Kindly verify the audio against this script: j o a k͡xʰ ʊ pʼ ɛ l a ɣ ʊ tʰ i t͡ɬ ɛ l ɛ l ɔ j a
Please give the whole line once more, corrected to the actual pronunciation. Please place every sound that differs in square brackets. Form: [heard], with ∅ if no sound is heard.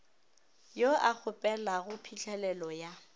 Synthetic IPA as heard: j o a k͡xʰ ʊ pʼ ɛ l a ɣ ʊ [pʰ] i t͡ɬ ɛ l ɛ l ɔ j a